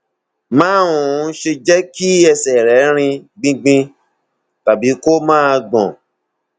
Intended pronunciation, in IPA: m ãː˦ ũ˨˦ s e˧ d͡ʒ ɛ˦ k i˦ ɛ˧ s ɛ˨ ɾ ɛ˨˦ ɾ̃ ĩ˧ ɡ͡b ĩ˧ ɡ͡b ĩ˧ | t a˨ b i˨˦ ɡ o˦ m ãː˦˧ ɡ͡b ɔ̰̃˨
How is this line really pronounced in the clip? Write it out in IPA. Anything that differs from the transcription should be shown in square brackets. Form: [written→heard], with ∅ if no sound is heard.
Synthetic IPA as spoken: m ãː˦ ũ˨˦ [s→ʃ] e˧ d͡ʒ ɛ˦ k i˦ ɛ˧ s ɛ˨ ɾ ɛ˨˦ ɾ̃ ĩ˧ ɡ͡b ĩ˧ ɡ͡b ĩ˧ | t a˨ b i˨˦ [ɡ→k] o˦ m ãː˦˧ ɡ͡b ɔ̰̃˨